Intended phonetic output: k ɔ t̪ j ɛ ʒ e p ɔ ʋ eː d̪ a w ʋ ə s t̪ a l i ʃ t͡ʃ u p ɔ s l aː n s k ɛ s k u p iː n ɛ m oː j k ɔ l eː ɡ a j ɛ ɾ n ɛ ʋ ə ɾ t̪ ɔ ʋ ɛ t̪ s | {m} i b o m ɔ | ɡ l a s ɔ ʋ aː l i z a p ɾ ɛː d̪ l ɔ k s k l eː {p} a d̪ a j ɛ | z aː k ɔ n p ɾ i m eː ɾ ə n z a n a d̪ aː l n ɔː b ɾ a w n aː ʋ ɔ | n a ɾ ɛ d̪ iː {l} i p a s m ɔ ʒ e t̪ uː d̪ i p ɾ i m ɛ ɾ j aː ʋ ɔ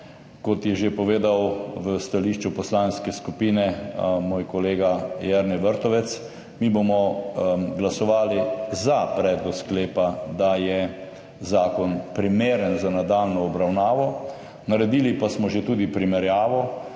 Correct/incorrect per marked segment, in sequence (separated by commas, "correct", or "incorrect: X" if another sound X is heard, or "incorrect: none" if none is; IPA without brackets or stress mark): correct, correct, correct